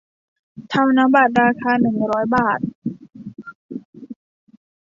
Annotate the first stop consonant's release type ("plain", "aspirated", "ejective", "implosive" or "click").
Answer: aspirated